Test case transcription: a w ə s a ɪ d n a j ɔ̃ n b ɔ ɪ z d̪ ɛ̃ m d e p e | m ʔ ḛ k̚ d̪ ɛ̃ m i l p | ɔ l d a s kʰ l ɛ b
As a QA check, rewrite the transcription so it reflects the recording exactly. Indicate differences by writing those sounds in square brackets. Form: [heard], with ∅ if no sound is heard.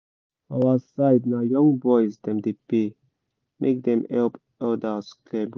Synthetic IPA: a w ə s a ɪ d n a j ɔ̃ [ŋ] b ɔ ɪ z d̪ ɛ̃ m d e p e | m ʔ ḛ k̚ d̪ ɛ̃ m [ɛ] l p | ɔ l d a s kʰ l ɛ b